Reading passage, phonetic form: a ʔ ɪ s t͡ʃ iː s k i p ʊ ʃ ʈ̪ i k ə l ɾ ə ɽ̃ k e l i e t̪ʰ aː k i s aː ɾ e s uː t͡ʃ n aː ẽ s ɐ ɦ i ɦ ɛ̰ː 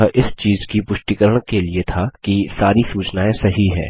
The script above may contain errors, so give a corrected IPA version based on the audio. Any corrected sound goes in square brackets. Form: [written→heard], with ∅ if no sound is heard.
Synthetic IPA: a ʔ ɪ s t͡ʃ iː [s→z] k i p ʊ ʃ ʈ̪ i k ə [l→∅] ɾ ə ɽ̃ k e l i e t̪ʰ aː k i s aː ɾ [e→i] s uː t͡ʃ n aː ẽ s ɐ ɦ i ɦ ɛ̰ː